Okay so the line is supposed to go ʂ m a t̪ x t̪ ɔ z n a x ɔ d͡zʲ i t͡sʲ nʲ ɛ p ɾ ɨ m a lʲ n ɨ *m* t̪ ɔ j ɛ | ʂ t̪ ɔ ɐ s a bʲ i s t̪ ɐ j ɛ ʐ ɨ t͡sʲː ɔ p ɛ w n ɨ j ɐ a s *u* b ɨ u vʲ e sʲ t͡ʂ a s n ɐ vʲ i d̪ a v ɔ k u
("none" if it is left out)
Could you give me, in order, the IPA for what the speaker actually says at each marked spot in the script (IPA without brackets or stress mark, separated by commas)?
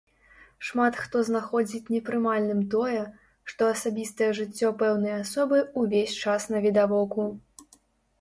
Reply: m, ɔ